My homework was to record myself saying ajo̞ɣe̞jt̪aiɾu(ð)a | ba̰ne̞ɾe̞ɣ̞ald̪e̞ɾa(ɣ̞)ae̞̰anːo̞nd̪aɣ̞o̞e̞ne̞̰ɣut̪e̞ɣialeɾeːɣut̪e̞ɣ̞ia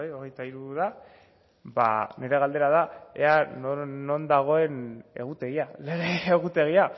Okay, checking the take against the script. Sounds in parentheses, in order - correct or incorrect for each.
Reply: correct, incorrect: ð̞

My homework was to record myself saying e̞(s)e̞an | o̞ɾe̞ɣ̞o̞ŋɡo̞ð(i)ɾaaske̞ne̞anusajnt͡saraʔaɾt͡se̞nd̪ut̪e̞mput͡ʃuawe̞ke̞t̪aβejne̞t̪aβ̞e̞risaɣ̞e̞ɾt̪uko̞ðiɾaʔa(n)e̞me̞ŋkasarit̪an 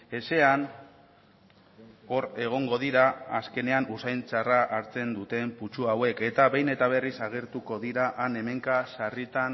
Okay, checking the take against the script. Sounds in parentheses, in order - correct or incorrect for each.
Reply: correct, correct, correct

